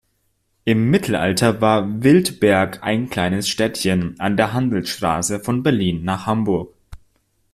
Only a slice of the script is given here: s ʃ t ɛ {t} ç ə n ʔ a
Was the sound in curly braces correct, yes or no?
yes